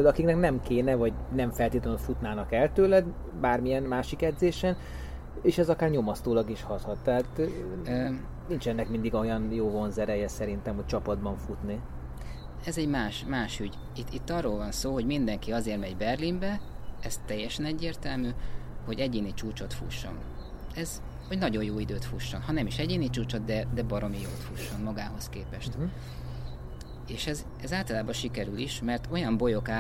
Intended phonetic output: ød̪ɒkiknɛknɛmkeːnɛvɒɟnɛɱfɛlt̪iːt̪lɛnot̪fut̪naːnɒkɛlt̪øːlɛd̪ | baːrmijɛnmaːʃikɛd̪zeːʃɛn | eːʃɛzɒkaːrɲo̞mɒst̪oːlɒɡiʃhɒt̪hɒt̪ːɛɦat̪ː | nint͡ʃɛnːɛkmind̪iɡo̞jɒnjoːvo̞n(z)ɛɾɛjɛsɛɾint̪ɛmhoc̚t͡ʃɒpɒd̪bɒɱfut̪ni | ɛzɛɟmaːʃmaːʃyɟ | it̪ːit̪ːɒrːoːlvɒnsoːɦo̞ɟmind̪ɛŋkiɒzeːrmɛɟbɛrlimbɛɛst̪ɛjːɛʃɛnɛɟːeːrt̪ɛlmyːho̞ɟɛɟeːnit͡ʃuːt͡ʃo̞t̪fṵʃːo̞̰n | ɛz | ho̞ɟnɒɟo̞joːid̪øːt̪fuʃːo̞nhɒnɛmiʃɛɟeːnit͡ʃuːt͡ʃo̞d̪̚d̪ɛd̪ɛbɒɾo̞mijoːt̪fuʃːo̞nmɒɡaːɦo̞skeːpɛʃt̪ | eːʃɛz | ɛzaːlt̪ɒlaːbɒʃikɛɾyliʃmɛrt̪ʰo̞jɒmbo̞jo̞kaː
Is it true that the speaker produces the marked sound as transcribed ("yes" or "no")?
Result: yes